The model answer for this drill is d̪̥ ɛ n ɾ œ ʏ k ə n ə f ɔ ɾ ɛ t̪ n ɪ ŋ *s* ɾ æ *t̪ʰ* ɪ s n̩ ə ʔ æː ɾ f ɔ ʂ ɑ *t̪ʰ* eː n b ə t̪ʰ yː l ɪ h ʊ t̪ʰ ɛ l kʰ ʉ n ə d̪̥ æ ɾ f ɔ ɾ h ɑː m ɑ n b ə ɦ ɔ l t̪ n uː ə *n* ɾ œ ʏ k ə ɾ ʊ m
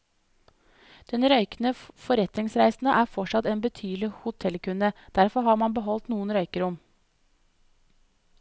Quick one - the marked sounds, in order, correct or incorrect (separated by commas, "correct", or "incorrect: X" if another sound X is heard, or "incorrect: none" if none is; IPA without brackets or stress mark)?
correct, incorrect: none, incorrect: t̪, correct